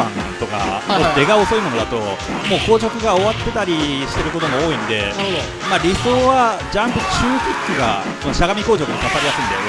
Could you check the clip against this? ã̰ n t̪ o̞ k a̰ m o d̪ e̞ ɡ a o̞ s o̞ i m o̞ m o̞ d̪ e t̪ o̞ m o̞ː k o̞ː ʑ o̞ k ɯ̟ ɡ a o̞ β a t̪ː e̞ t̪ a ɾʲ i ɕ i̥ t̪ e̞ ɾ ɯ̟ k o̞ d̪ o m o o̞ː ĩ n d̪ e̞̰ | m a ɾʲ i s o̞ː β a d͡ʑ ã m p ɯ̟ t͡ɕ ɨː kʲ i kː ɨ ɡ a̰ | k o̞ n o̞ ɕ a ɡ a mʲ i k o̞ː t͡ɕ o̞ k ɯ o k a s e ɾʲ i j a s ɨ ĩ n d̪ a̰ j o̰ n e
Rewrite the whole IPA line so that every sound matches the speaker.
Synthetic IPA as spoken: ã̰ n t̪ o̞ k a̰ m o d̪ e̞ ɡ a o̞ s o̞ i m o̞ n o̞ d̪ a t̪ o̞ m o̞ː k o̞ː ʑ o̞ k ɯ̟ ɡ a o̞ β a t̪ː e̞ t̪ a ɾʲ i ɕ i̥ t̪ e̞ ɾ ɯ̟ k o̞ t̪ o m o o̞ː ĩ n d̪ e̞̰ | m a ɾʲ i s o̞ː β a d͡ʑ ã m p ɯ̟ t͡ɕ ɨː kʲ i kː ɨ ɡ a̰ | k o̞ n o̞ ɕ a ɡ a mʲ i k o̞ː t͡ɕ o̞ k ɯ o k a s a ɾʲ i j a s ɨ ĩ n d̪ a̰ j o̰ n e

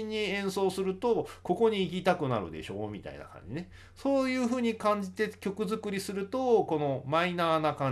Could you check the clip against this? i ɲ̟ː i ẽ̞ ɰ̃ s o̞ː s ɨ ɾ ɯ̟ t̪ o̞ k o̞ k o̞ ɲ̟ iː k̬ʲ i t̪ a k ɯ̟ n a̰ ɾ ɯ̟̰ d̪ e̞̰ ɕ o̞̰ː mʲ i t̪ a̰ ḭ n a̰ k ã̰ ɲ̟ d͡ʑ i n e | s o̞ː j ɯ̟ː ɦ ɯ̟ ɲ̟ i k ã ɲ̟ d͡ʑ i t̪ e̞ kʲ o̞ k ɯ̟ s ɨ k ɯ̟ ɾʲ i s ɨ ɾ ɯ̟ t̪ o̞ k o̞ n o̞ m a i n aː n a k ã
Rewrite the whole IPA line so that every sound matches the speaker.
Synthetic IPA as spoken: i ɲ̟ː i ẽ̞ ɰ̃ s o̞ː s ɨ ɾ ɯ̟ t̪ o̞ k o̞ k o̞ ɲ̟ iː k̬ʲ i t̪ a k ɯ̟ n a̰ ɾ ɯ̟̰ d̪ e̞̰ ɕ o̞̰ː mʲ i t̪ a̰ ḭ n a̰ k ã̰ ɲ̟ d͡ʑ i n e | s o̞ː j ɯ̟ː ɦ ɯ̟ː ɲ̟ i k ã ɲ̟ d͡ʑ i t̪ e̞ kʲ o̞ k ɯ̟ z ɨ k ɯ̟ ɾʲ i s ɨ ɾ ɯ̟ t̪ o̞ k o̞ n o̞ m a i n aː n a k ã

